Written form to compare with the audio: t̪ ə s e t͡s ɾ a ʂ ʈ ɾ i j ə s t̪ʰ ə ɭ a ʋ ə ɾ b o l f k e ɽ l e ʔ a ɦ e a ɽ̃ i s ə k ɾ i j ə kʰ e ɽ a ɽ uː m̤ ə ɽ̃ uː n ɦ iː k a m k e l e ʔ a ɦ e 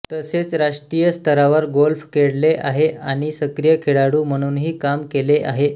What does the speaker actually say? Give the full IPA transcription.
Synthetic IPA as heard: t̪ ə s e t͡s ɾ a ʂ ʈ ɾ i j ə s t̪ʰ ə ɾ a ʋ ə ɾ ɡ o l f k e ɽ l e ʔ a ɦ e a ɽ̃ i s ə k ɾ i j ə kʰ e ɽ a ɽ uː m̤ ə ɽ̃ uː n ɦ iː k a m k e l e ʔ a ɦ e